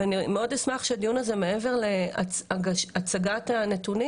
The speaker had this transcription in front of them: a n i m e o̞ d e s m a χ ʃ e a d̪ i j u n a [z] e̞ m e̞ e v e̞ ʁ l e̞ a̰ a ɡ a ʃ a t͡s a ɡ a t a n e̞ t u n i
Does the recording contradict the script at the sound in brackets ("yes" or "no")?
no